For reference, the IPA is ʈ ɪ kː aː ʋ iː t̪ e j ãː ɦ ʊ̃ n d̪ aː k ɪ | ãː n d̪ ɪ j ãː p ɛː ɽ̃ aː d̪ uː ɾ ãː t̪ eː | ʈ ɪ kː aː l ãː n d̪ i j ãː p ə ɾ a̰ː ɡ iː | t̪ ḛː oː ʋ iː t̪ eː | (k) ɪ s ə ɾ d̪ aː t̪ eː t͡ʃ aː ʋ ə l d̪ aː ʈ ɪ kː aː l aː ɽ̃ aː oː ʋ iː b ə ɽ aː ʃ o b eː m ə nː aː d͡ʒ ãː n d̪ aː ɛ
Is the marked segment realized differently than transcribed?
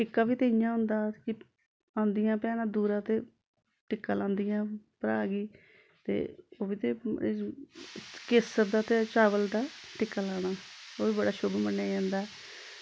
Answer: no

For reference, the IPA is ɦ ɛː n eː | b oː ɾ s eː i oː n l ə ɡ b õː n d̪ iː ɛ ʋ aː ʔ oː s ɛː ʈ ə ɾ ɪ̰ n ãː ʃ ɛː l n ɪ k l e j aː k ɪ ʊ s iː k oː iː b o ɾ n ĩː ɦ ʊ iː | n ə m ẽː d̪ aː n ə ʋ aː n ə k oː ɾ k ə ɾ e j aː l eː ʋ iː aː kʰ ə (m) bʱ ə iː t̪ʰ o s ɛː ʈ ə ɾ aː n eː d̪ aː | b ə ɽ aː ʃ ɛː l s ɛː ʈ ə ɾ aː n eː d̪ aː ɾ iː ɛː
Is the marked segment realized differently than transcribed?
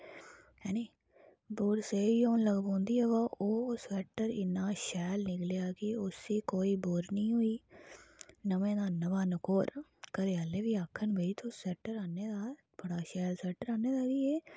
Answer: yes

